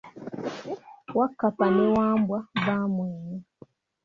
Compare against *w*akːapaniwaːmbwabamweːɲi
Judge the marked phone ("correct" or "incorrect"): correct